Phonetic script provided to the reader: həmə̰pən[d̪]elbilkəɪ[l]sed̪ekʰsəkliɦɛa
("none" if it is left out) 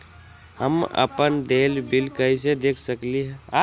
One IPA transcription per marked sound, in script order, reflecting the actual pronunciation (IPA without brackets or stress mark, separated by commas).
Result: d̪, none